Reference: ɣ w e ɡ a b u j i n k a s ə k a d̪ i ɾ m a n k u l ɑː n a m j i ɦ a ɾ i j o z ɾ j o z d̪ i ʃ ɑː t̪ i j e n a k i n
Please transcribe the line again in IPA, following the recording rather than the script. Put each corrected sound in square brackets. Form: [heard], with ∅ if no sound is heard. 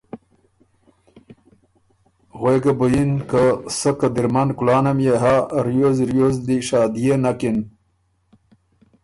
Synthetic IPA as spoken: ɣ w e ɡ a b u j i n k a s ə k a d̪ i ɾ m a n k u l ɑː n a m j [e] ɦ a ɾ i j o z ɾ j o z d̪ i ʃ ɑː [d̪] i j e n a k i n

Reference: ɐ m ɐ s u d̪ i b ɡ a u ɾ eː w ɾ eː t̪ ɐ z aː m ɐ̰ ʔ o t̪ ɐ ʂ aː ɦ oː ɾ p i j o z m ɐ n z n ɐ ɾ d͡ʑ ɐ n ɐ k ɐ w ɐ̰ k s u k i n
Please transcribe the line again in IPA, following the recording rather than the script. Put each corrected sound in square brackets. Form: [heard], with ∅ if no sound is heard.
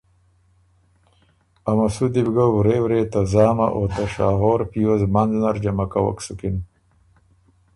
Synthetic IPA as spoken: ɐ m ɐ s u d̪ i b ɡ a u ɾ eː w ɾ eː t̪ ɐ z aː m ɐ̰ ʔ o t̪ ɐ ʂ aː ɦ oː ɾ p i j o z m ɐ n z n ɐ ɾ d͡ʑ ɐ [m] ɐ k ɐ w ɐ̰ k s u k i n

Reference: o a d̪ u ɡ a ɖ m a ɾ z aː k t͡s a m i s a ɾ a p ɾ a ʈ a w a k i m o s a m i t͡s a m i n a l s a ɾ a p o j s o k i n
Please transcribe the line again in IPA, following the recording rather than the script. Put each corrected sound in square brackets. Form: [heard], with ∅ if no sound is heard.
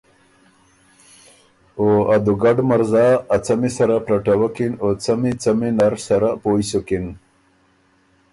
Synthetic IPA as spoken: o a d̪ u ɡ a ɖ m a ɾ z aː [∅] t͡s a m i s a ɾ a p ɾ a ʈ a w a k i [n] o [t͡s] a m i t͡s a m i n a [ɾ] s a ɾ a p o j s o k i n

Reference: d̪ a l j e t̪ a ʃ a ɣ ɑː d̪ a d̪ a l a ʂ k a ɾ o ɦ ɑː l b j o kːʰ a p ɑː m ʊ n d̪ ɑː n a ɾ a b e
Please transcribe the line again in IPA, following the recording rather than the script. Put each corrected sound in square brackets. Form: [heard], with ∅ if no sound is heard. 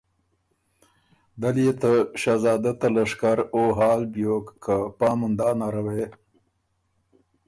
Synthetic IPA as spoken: d̪ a l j e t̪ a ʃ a [z] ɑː d̪ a [t̪] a l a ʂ k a ɾ o ɦ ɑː l b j o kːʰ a p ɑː m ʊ n d̪ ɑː n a ɾ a [w] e

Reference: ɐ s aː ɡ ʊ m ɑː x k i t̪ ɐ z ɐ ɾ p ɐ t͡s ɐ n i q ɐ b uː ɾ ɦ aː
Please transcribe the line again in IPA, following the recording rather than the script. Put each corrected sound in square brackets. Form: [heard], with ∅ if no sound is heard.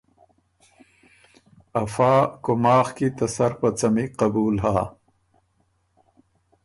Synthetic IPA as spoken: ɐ [f] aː [k] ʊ m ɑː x k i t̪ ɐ [s] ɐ ɾ p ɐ t͡s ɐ [m] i q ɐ b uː [l] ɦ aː

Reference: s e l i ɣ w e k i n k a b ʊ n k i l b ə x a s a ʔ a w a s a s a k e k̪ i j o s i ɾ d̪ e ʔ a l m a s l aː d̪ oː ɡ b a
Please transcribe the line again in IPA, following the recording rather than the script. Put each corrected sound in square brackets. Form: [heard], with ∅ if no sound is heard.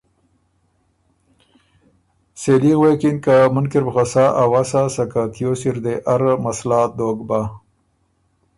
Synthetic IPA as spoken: s e l i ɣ w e k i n k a [m] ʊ n k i [ɾ] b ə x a s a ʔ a w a s a s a k [a] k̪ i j o s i ɾ d̪ e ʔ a [ɾ] m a s l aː d̪ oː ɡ b a

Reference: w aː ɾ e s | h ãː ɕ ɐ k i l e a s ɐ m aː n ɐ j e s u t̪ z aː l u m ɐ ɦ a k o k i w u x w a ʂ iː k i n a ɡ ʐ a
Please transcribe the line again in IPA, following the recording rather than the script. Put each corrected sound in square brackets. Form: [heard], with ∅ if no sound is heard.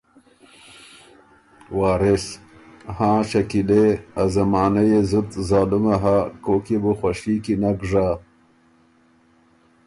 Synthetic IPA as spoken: w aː ɾ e s | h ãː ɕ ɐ k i l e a [z] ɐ m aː n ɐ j e [z] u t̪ z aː l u m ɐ ɦ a k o k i [b] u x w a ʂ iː k i n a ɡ ʐ a

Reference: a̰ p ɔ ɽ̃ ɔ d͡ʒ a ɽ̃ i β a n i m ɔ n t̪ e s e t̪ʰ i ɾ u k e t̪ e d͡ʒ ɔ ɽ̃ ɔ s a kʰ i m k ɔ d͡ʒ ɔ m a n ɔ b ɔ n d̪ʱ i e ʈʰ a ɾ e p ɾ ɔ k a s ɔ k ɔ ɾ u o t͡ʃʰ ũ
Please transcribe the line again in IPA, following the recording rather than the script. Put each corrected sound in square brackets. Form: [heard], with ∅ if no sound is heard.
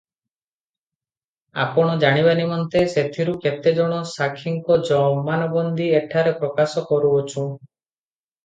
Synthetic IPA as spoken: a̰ p ɔ ɽ̃ ɔ d͡ʒ a ɽ̃ i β a n i m ɔ n t̪ e s e t̪ʰ i ɾ u k e t̪ e d͡ʒ ɔ ɽ̃ ɔ s a kʰ i [ŋ] k ɔ d͡ʒ ɔ m a n ɔ b ɔ n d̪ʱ i e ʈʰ a ɾ e p ɾ ɔ k a s ɔ k ɔ ɾ u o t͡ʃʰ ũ

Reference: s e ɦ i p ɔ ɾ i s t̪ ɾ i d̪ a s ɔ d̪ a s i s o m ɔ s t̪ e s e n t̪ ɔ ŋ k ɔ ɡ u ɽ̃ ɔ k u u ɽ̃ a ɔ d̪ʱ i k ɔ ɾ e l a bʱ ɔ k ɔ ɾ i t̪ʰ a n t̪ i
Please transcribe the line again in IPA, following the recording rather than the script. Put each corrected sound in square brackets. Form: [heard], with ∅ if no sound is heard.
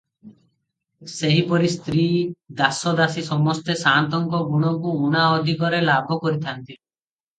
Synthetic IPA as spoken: s e ɦ i p ɔ ɾ i s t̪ ɾ i d̪ a s ɔ d̪ a s i s [ɔ] m ɔ s t̪ e s [a] n t̪ ɔ ŋ k ɔ ɡ u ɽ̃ ɔ k u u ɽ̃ a ɔ d̪ʱ i k ɔ ɾ e l a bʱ ɔ k ɔ ɾ i t̪ʰ a n t̪ i

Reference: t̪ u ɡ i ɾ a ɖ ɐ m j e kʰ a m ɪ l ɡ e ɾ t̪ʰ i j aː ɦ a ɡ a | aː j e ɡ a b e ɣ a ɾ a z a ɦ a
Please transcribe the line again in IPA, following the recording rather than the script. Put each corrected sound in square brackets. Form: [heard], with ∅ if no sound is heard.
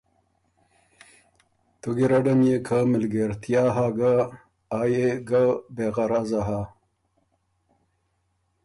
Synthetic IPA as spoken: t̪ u ɡ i ɾ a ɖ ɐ m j e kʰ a m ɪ l ɡ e ɾ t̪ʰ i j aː ɦ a ɡ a | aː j e ɡ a b e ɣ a ɾ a z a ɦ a

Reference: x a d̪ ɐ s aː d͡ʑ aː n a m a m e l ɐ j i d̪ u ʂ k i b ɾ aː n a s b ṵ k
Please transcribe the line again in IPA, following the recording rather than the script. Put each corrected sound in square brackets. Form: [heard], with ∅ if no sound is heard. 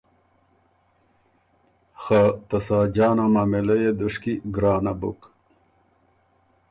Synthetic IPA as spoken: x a [t̪] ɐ s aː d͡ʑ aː n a m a m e l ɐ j [e] d̪ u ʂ k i [ɡ] ɾ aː n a [∅] b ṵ k

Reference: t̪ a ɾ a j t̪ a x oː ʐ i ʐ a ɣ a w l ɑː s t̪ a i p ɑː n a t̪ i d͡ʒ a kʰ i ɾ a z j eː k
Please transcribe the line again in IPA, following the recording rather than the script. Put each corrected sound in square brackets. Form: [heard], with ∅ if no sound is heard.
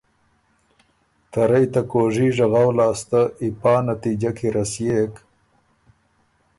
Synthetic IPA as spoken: t̪ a ɾ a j t̪ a [k] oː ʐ i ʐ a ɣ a w l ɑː s t̪ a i p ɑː n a t̪ i d͡ʒ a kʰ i ɾ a [s] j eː k

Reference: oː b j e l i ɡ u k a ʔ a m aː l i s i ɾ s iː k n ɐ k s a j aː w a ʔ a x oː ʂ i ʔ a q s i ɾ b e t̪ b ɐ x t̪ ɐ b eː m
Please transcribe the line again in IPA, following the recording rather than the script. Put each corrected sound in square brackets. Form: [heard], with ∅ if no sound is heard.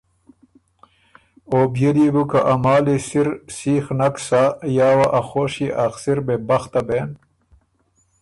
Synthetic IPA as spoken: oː b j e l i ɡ u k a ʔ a m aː l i s i ɾ s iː [x] n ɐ k s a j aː w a ʔ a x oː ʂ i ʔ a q s i ɾ b e [∅] b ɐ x t̪ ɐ b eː [n]

